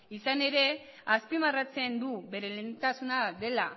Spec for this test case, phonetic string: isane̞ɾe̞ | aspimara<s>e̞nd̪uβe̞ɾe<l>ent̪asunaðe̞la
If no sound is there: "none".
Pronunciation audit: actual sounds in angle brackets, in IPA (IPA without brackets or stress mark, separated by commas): t͡s, l